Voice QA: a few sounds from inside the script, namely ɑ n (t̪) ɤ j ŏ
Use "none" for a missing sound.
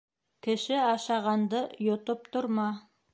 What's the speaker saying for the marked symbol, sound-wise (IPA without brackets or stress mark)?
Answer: d̪